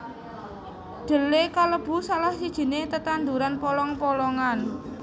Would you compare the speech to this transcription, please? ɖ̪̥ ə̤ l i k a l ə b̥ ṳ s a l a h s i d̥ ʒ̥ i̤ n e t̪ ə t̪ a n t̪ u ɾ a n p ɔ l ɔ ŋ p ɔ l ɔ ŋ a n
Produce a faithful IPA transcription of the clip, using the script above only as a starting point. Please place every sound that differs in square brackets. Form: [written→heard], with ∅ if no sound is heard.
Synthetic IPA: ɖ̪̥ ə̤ l [i→e] k a l ə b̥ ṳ s a l a h s i d̥ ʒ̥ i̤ n e t̪ ə t̪ a n [t̪→d̪] u ɾ a n p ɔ l ɔ ŋ p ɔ l ɔ ŋ a n